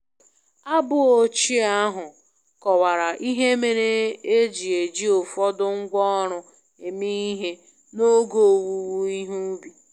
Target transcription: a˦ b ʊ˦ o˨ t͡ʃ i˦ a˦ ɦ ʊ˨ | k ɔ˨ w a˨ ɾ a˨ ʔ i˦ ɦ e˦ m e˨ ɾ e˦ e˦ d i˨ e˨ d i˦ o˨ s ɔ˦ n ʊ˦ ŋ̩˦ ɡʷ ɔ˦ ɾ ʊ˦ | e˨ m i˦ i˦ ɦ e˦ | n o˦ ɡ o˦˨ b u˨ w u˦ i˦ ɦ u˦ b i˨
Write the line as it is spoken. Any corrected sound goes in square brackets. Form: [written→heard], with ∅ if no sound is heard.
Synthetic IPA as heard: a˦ b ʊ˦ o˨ t͡ʃ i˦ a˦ ɦ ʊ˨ | k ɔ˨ w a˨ ɾ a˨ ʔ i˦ ɦ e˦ m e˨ ɾ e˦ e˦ [d→d͡ʒ] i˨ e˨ [d→d͡ʒ] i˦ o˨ [s→f] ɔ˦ [n→d] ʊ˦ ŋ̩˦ ɡʷ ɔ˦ ɾ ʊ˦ | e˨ m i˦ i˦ ɦ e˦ | n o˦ ɡ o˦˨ [b→w] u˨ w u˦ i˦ ɦ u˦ b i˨